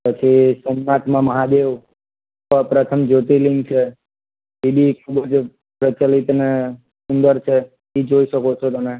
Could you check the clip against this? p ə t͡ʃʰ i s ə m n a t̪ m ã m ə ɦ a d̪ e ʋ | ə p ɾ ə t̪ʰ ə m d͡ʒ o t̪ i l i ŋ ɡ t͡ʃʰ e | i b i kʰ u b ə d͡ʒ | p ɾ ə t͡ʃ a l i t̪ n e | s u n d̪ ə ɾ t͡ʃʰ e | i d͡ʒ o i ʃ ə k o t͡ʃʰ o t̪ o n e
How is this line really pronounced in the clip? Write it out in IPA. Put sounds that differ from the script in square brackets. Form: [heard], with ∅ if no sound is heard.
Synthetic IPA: p ə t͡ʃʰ i s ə m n a t̪ m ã m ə ɦ a d̪ e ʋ | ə p ɾ ə t̪ʰ ə m d͡ʒ o t̪ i l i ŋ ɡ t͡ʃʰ e | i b i kʰ u b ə d͡ʒ | p ɾ ə t͡ʃ a l i t̪ n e | s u n d̪ ə ɾ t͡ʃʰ e | i d͡ʒ o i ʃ ə k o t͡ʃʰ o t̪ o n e